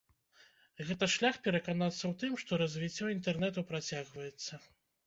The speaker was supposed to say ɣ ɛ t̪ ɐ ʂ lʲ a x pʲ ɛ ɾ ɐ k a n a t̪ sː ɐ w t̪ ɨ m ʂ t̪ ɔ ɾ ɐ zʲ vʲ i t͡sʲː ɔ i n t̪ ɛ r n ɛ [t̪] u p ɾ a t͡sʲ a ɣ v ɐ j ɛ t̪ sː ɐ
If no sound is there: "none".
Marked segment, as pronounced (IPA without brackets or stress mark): t̪